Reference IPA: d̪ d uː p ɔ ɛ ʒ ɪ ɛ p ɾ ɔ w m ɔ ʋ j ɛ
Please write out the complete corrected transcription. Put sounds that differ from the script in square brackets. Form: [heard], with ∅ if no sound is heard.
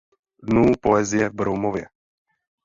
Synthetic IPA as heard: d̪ [n] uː p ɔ ɛ [z] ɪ ɛ [b] ɾ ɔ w m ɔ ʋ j ɛ